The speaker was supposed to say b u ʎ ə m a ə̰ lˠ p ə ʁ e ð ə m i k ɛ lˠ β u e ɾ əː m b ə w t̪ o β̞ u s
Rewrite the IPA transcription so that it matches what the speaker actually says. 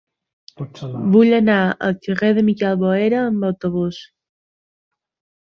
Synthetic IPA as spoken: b u ʎ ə n a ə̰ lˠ k ə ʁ e ð ə m i k ɛ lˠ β o e ɾ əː m b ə w t̪ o β̞ u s